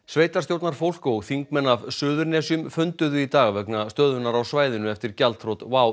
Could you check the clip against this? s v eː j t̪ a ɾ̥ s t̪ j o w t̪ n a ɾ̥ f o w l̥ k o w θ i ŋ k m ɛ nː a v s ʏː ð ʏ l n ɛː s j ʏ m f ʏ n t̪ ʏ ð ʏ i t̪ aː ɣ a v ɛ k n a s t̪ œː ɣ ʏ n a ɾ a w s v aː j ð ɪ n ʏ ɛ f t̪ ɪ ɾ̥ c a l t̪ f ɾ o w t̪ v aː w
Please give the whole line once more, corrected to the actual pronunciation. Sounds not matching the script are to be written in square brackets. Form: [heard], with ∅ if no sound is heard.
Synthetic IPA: s v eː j t̪ a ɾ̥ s t̪ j o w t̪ n a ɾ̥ f o w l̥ k o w θ i ŋ k m ɛ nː a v s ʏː ð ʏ [ɾ] n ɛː s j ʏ m f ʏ n t̪ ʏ ð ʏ i t̪ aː ɣ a v ɛ k n a s t̪ œː [ð] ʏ n a ɾ a w s v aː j ð ɪ n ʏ ɛ f t̪ ɪ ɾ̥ c a l t̪ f ɾ o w t̪ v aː w

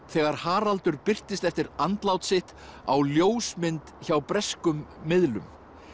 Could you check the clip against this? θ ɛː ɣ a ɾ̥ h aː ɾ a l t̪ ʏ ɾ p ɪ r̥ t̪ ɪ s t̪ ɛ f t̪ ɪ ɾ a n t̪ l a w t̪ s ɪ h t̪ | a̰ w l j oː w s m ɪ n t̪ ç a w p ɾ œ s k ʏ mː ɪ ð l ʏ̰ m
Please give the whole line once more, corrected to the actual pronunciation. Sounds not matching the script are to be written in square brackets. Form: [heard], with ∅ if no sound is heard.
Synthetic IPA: θ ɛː ɣ a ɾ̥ h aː ɾ a l t̪ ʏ ɾ p ɪ r̥ t̪ ɪ s t̪ ɛ f t̪ ɪ ɾ a n t̪ l a w t̪ s ɪ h t̪ | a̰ w l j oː w s m ɪ n t̪ ç a w p ɾ [ɛ] s k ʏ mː ɪ ð l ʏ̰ m

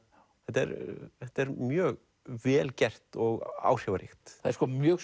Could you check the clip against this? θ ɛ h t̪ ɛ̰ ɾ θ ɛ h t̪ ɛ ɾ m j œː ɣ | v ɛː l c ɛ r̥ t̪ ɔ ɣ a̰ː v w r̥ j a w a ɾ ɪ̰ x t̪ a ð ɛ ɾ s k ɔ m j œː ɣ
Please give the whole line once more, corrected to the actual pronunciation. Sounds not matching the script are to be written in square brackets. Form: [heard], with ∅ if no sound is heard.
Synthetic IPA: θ ɛ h t̪ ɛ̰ ɾ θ ɛ h t̪ ɛ ɾ m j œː ɣ | v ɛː l c ɛ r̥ t̪ ɔ ɣ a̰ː [∅] w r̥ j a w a ɾ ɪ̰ x t̪ a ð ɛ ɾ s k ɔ m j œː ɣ

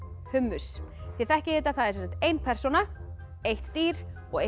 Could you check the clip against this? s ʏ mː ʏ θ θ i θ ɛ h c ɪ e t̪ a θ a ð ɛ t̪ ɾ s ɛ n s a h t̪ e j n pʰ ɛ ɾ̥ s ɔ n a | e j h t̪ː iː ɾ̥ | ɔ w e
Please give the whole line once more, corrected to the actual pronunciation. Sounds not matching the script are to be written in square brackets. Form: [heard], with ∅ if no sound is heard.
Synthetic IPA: [h] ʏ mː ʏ [s] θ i θ ɛ h c ɪ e t̪ a θ a ð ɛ [∅] ɾ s ɛ n s a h t̪ e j n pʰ ɛ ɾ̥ s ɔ n a | e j h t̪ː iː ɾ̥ | ɔ [ɣ] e

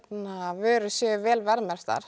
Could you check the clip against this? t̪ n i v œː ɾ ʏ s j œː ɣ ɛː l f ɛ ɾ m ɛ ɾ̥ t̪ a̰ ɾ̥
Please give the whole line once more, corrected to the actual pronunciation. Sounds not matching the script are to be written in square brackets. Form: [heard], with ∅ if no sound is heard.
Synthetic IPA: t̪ n [a] v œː ɾ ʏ s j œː [v] ɛː l [v] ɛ ɾ m ɛ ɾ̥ t̪ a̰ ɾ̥

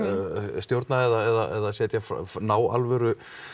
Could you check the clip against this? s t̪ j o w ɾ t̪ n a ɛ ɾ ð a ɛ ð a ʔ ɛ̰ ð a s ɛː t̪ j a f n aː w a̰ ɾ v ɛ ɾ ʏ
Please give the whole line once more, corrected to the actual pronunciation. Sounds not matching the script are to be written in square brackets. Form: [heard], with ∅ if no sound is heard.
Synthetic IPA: s t̪ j o w ɾ t̪ n a ɛ [∅] ð a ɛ ð a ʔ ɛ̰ ð a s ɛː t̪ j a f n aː w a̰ [l] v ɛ ɾ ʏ

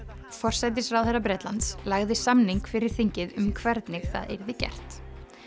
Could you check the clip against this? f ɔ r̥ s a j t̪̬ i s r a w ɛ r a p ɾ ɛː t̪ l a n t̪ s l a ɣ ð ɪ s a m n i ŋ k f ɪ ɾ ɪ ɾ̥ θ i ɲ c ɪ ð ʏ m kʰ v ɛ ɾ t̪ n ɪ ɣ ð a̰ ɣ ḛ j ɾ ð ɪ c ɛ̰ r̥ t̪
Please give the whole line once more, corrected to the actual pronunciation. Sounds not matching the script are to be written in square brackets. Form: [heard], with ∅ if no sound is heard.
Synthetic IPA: f ɔ r̥ s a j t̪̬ [ɪ] s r a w ɛ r a p ɾ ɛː t̪ l a n t̪ s l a ɣ ð ɪ s a m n i ŋ k f ɪ ɾ ɪ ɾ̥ θ i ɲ c ɪ ð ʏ m kʰ v ɛ ɾ t̪ n ɪ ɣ [θ] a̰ [ð] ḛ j ɾ ð ɪ c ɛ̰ r̥ t̪

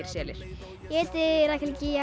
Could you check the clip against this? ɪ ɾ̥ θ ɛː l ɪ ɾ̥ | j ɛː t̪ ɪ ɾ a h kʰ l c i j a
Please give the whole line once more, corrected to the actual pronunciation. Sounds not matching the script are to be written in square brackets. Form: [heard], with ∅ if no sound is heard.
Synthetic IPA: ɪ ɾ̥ [s] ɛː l ɪ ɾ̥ | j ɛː t̪ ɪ ɾ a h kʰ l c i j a

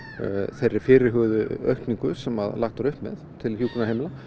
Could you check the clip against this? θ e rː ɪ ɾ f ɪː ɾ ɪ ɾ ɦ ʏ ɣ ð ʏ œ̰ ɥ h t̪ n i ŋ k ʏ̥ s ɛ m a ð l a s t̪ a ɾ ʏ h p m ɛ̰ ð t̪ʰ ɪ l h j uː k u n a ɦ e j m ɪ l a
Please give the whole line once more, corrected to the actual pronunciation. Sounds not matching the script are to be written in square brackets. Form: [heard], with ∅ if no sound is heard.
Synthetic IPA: θ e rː ɪ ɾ f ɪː ɾ ɪ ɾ ɦ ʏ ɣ ð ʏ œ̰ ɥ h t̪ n i ŋ k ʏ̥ s ɛ m a ð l a [x] t̪ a ɾ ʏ h p m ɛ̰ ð t̪ʰ ɪ l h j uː k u n a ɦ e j m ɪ l a

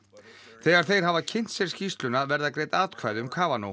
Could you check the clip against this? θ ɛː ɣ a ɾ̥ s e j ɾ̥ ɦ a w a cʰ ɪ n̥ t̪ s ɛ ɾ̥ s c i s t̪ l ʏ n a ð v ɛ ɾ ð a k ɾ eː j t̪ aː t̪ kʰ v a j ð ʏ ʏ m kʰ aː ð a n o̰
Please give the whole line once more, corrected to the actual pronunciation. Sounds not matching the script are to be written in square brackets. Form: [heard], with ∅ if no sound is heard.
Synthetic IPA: θ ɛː ɣ a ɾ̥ [θ] e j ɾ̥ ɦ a [v] a cʰ ɪ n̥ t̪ s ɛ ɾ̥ s c i s t̪ l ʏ n a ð v ɛ ɾ ð a k ɾ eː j t̪ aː t̪ kʰ v a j ð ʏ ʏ m kʰ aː [v] a n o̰

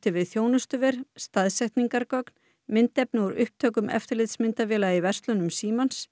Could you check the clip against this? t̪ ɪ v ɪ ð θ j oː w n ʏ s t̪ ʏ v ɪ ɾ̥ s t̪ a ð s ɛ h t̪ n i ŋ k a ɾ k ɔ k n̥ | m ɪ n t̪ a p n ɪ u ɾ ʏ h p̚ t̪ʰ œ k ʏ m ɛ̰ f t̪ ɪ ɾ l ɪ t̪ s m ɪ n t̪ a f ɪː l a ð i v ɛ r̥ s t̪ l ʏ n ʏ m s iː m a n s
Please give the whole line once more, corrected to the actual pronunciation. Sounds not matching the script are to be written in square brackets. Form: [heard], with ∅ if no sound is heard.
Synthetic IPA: t̪ ɪ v ɪ ð θ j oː w n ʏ s t̪ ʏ v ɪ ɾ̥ s t̪ a ð s ɛ h t̪ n i ŋ k a ɾ k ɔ k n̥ | m ɪ n t̪ [ɛ] p n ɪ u ɾ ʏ h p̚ t̪ʰ [œː] k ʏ m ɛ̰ f t̪ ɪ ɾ l ɪ t̪ s m ɪ n t̪ a [v] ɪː l a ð i v ɛ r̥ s t̪ l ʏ n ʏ m s iː m a n s

